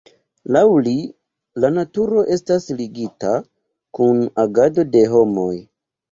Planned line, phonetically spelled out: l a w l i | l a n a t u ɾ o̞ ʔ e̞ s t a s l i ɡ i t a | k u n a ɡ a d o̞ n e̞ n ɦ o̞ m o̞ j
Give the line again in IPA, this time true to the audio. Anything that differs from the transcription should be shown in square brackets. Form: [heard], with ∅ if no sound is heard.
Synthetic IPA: l a w l i | l a n a t u ɾ o̞ ʔ e̞ s t a s l i ɡ i t a | k u n a ɡ a d o̞ [d] e̞ [∅] ɦ o̞ m o̞ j